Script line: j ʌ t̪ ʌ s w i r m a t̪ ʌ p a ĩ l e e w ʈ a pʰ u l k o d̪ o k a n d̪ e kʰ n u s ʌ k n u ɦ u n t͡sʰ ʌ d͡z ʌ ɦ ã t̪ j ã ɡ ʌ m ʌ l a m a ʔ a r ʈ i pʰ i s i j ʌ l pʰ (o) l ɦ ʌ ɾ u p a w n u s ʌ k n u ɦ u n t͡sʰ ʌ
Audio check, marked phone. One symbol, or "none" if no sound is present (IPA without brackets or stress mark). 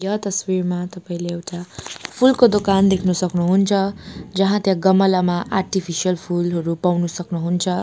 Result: u